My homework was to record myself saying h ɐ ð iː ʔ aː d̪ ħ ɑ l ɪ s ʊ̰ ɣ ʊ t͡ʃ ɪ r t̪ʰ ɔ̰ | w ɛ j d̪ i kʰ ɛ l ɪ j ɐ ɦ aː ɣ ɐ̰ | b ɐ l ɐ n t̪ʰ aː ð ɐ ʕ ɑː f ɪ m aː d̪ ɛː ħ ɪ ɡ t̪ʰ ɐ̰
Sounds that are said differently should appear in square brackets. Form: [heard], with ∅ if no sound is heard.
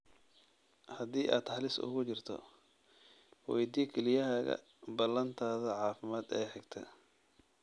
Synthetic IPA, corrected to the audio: h ɐ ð iː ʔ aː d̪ ħ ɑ l ɪ s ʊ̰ ɣ ʊ t͡ʃ ɪ r t̪ʰ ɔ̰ | w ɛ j d̪ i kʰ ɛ l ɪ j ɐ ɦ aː ɣ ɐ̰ | b ɐ l ɐ n t̪ʰ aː ð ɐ ʕ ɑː f ɪ m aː d̪ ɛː ħ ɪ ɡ t̪ʰ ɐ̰